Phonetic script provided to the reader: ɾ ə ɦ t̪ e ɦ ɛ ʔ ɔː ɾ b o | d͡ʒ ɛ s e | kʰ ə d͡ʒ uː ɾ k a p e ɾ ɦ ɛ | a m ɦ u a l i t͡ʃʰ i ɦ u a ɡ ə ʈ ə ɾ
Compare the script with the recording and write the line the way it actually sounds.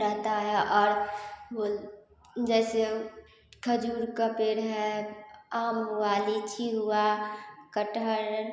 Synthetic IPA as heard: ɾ ə ɦ t̪ a ɦ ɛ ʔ ɔː ɾ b o | d͡ʒ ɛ s e | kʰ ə d͡ʒ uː ɾ k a p e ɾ ɦ ɛ | a m ɦ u a l i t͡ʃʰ i ɦ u a k ə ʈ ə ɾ